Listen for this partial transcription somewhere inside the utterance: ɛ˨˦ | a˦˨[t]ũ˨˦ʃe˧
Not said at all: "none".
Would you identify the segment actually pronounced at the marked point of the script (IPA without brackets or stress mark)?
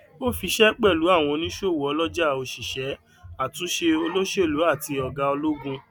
t